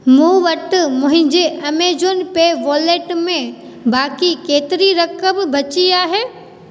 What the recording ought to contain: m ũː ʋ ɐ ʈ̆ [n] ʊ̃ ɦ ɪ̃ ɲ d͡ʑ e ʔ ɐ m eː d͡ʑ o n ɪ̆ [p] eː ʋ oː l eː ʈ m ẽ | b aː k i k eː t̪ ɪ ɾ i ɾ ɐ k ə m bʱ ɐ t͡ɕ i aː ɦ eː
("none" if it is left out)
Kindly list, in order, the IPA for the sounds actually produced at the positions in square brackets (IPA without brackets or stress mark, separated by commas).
m, p